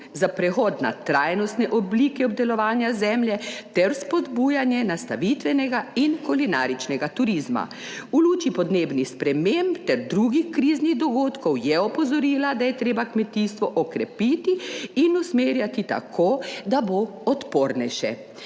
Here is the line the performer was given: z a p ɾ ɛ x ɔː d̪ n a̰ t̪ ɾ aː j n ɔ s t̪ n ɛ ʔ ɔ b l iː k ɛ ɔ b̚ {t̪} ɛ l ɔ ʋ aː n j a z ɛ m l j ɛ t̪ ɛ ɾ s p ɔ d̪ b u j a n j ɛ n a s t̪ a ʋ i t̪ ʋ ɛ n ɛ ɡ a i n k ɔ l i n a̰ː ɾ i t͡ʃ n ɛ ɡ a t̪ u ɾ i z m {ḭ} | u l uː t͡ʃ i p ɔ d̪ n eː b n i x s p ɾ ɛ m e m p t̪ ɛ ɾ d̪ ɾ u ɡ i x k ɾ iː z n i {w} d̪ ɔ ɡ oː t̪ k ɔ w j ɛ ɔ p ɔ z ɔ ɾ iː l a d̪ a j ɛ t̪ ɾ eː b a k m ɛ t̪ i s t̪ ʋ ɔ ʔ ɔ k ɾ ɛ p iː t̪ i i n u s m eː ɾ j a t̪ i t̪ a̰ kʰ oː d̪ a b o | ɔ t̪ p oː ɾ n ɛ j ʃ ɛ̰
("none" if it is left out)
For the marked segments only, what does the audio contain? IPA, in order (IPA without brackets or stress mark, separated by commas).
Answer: d̪, a̰, ɣ